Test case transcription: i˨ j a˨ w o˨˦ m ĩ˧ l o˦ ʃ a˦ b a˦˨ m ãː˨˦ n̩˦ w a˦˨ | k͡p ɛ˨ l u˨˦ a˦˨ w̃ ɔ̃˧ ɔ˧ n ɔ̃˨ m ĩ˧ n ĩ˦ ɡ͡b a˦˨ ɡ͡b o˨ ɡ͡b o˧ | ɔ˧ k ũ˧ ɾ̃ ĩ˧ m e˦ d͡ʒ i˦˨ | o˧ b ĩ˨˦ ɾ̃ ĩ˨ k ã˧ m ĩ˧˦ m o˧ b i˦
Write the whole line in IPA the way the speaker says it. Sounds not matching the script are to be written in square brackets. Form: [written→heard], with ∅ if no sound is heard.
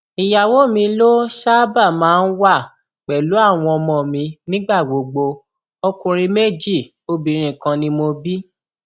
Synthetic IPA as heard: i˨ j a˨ w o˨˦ m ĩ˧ l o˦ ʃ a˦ b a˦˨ m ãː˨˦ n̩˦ w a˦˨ | k͡p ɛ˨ l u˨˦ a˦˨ w̃ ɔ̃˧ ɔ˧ [n→m] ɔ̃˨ m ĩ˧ n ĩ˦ ɡ͡b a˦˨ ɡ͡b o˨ ɡ͡b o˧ | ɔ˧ k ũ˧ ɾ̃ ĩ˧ m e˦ d͡ʒ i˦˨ | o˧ b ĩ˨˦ ɾ̃ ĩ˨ k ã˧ [m→n] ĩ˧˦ m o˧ b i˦

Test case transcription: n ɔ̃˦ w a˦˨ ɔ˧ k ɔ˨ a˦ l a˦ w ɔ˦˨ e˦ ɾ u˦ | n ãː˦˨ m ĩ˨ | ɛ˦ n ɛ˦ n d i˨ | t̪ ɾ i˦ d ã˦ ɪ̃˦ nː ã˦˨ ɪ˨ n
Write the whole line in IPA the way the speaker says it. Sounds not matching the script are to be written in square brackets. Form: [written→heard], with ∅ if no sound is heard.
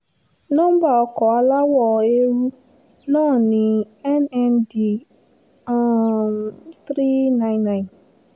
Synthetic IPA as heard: n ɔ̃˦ [w→b] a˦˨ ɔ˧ k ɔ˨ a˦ l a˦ w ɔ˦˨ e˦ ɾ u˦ | n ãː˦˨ [m→n] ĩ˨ | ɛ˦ n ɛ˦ n d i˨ | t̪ ɾ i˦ [d→n] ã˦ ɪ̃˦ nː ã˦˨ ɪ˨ n

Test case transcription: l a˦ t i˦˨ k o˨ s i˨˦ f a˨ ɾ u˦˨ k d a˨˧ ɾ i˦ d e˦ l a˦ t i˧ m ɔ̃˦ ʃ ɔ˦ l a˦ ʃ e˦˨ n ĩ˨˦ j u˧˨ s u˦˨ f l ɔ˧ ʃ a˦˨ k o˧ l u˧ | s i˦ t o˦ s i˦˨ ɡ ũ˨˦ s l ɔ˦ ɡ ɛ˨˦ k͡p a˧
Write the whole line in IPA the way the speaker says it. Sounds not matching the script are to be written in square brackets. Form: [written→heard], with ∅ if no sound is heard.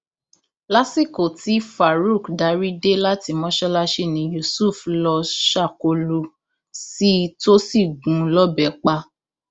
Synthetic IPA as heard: l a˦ [t→s] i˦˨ k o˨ [s→t] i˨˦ f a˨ ɾ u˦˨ k d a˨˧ ɾ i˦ d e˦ l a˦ t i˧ m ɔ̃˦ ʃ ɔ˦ l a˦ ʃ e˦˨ n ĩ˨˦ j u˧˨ s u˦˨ f l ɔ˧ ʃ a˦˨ k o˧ l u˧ | s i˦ t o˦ s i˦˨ ɡ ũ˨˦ [s→∅] l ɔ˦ [ɡ→b] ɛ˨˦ k͡p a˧

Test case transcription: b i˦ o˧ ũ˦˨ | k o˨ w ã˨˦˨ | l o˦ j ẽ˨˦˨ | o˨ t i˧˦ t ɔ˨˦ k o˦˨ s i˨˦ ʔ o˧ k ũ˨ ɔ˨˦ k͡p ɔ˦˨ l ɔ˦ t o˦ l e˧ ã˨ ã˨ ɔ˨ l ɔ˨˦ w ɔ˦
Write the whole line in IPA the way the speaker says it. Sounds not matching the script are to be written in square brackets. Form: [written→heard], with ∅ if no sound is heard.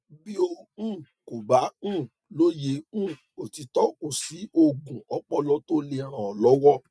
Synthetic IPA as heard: b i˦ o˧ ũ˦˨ | k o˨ [w→b] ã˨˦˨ | l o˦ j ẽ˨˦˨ | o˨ t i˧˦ t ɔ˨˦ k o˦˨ s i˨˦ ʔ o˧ [k→ɡ] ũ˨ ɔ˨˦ k͡p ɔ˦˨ l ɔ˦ t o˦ l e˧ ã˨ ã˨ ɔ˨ l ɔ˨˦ w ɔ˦

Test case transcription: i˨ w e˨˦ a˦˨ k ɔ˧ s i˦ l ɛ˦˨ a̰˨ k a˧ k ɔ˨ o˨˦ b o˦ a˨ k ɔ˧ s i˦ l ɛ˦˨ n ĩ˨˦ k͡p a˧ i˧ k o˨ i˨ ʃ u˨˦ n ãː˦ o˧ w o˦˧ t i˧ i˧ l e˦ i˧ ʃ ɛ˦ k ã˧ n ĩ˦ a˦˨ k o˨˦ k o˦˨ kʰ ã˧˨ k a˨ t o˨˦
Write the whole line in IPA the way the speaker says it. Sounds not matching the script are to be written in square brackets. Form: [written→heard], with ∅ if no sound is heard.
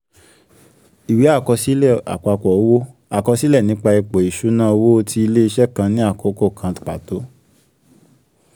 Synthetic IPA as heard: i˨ w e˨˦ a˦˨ k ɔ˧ s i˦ l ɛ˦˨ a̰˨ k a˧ k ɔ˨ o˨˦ [b→w] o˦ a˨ k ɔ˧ s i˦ l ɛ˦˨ n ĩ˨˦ k͡p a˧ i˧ [k→k͡p] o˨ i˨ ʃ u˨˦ n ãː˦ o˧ w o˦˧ t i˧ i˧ l e˦ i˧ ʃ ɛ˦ k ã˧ n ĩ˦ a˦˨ k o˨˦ k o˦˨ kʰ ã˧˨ [k→k͡p] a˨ t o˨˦

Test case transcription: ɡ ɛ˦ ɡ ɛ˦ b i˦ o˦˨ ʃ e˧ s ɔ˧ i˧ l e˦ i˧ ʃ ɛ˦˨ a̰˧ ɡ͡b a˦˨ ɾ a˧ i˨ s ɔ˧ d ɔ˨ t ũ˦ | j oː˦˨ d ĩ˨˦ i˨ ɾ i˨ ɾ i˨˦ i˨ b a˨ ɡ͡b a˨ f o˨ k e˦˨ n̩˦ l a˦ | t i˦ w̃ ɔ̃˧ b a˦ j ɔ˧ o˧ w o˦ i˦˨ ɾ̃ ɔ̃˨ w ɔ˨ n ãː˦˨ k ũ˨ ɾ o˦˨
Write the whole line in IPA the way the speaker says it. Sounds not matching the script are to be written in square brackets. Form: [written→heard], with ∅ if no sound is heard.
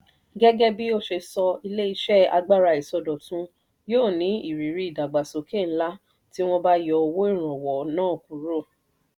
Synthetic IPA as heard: ɡ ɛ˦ ɡ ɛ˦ b i˦ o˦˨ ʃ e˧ s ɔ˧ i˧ l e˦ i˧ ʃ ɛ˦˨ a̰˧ ɡ͡b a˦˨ ɾ a˧ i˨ s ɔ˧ d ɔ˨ t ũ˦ | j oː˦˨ [d→n] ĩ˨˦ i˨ ɾ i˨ ɾ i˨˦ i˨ [b→d] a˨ ɡ͡b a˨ [f→s] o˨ k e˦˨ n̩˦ l a˦ | t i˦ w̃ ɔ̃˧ b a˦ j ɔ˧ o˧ w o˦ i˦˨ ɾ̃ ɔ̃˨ w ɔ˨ n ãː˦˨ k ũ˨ ɾ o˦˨

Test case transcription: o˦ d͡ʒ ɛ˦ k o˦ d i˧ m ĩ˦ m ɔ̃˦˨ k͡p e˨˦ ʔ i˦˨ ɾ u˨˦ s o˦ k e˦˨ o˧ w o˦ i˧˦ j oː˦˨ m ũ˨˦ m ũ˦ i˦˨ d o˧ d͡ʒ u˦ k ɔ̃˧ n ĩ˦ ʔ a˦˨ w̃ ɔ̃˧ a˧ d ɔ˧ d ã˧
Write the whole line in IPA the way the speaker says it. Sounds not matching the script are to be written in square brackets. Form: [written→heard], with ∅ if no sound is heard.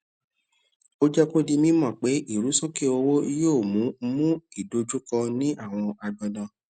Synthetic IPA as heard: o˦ d͡ʒ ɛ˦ k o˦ d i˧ m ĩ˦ m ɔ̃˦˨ k͡p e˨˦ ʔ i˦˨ ɾ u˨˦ s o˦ k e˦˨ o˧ w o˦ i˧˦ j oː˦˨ m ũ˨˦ m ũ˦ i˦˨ d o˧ d͡ʒ u˦ k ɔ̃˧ n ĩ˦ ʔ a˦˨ w̃ ɔ̃˧ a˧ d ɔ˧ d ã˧

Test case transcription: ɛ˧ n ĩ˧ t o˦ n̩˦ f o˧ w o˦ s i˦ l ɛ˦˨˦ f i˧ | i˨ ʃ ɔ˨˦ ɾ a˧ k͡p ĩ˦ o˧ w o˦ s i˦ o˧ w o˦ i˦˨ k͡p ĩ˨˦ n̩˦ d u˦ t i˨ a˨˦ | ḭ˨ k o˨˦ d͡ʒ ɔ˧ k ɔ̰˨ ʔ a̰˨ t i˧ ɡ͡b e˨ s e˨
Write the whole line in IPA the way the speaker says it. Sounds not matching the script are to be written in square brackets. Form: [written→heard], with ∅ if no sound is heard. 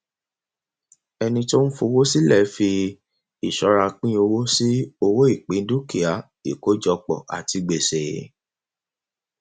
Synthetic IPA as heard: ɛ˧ n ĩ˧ t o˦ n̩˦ f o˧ w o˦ s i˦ l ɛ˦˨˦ f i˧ | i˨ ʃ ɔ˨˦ ɾ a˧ k͡p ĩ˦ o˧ w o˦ s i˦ o˧ w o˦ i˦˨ k͡p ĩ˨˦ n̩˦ d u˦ [t→k] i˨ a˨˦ | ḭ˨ k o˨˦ d͡ʒ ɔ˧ [k→k͡p] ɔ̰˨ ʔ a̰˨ t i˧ ɡ͡b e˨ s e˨

